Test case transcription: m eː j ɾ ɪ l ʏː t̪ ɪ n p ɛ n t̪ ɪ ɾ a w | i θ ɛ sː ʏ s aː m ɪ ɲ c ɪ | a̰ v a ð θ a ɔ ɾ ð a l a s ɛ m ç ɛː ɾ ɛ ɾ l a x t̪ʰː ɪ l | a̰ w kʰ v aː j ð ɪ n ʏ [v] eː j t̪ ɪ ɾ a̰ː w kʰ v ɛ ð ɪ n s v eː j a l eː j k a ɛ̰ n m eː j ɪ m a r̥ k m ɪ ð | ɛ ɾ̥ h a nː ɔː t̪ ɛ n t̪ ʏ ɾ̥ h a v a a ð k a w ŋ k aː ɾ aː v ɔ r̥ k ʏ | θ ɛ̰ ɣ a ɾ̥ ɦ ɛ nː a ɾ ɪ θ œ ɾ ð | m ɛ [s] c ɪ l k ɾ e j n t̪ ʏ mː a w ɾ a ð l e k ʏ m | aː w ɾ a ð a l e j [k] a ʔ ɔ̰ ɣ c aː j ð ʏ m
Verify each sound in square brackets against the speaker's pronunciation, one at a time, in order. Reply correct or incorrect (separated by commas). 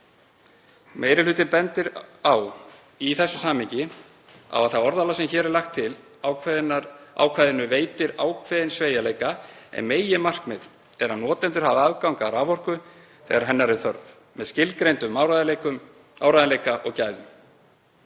correct, correct, correct